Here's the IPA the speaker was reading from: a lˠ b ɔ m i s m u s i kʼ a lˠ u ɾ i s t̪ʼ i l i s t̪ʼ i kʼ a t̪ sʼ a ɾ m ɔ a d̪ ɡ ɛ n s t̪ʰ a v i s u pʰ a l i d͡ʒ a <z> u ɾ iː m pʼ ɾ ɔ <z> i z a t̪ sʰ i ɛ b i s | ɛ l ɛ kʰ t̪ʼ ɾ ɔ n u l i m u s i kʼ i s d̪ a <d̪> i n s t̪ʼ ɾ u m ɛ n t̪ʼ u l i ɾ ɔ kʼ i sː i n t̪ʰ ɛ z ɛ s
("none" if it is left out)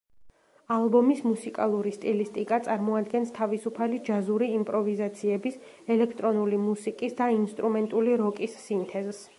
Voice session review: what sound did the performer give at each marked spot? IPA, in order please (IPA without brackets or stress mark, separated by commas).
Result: z, v, none